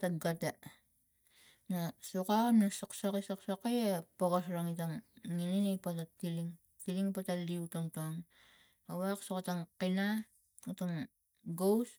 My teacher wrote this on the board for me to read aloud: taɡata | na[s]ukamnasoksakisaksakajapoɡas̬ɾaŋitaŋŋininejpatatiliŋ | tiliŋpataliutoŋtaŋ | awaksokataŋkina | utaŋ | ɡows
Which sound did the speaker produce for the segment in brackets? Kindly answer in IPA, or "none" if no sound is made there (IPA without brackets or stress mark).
s